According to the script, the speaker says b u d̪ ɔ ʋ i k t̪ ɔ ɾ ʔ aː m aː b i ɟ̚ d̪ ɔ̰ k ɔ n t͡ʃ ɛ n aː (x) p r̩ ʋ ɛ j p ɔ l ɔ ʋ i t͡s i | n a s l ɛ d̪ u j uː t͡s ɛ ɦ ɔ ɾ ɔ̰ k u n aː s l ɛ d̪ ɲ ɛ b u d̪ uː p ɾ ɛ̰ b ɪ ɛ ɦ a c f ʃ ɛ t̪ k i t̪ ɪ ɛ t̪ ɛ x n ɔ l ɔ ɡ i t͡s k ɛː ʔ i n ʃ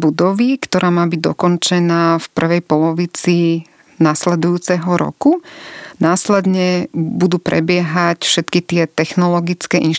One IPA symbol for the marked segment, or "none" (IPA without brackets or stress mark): f